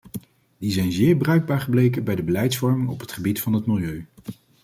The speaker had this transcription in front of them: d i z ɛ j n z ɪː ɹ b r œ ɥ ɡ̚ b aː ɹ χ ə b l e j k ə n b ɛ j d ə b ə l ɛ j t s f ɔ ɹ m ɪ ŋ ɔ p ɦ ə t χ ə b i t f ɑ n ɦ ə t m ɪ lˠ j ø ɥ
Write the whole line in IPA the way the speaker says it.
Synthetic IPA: d i z ɛ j n z ɪː ɹ b r œ ɥ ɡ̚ b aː ɹ χ ə b l e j k ə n b ɛ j d ə b ə l ɛ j t s f ɔ ɹ m ɪ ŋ ɔ p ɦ ə t χ ə b i t f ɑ n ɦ ə t m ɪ lˠ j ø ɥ